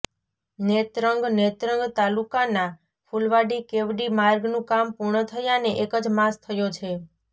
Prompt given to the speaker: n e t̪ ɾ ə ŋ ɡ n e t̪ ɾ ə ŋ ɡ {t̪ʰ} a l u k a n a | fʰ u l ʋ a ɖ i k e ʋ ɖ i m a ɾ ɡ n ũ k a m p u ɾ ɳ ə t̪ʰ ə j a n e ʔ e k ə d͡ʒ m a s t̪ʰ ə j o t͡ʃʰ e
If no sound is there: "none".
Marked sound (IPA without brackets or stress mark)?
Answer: t̪